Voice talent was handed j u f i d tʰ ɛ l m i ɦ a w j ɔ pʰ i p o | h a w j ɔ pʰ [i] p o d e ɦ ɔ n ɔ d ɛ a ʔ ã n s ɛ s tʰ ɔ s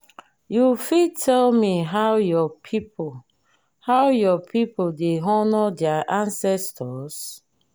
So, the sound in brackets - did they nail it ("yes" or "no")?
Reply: yes